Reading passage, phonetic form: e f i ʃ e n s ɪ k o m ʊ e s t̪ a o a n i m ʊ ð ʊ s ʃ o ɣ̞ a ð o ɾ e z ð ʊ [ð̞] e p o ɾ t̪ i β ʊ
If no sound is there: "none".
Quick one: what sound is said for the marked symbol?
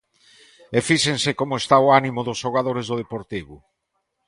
ð̞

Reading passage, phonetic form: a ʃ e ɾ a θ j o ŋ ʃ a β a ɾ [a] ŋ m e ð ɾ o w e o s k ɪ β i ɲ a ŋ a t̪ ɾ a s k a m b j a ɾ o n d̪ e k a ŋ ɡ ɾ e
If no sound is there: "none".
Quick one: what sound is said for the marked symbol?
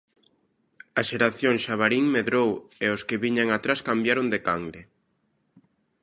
i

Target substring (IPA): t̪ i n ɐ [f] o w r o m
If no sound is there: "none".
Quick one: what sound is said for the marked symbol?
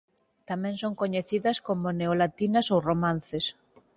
s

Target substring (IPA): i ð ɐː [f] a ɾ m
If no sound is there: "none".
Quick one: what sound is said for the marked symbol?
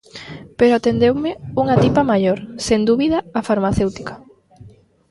f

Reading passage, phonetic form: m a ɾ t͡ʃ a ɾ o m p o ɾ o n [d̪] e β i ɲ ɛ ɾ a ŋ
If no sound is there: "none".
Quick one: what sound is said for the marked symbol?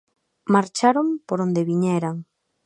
d̪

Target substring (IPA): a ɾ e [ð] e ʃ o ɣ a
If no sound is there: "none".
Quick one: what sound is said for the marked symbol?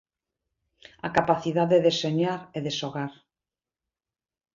ð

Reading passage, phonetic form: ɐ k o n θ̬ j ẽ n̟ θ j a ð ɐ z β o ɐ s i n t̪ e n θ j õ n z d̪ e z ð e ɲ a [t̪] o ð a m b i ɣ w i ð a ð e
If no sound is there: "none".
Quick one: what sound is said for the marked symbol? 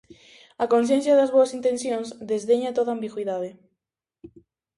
t̪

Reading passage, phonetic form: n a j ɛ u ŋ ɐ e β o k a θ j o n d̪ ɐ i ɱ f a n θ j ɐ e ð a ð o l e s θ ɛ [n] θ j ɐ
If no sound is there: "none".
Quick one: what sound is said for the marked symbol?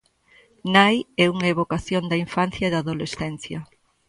n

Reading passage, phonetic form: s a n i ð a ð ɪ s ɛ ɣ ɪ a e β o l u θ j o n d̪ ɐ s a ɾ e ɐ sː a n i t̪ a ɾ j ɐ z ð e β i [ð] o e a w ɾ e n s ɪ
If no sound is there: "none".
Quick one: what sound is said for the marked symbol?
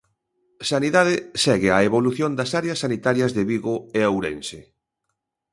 ɣ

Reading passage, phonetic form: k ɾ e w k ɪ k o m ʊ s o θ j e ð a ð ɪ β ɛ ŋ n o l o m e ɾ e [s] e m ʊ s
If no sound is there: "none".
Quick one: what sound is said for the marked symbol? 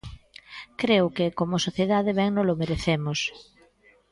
θ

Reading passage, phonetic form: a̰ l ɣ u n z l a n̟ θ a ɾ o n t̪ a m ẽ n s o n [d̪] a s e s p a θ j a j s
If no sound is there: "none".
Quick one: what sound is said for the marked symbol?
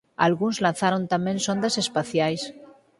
d̪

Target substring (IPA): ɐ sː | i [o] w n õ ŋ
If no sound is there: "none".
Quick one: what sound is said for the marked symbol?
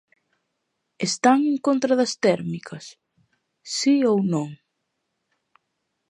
o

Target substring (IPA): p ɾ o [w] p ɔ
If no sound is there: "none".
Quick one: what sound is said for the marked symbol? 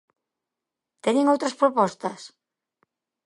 none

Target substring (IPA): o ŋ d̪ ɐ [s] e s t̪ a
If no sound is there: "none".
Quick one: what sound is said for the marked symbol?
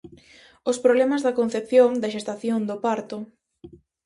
ʃ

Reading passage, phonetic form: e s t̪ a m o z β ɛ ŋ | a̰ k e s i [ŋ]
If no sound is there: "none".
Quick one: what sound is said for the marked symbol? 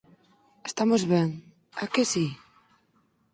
none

